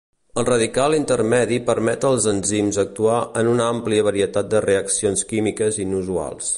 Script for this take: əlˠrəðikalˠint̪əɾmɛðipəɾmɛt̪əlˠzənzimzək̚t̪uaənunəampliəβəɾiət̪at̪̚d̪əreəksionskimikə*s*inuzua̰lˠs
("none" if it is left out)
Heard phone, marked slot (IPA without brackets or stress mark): z